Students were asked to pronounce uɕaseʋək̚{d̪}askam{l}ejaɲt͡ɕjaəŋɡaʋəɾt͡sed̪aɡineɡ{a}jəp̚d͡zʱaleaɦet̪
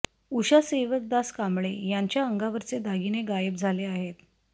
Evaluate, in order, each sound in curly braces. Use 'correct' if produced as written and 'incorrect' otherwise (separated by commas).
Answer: correct, incorrect, correct